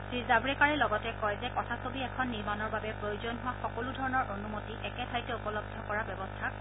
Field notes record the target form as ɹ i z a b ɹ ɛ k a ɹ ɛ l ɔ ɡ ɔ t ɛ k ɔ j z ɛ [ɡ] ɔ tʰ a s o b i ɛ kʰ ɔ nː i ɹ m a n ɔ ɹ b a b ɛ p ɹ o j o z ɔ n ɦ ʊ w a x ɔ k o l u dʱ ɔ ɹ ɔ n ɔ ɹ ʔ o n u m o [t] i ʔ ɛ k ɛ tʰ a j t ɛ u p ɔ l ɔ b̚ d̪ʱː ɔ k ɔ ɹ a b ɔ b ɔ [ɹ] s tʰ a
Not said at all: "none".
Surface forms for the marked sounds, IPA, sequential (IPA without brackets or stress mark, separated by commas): k, t, none